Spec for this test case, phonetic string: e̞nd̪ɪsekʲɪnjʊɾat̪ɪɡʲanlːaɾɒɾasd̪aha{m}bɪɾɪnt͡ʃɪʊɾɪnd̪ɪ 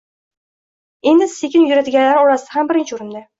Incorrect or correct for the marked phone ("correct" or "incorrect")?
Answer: correct